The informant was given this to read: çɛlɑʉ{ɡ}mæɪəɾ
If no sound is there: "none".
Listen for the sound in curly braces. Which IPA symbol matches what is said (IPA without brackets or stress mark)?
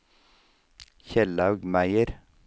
ɡ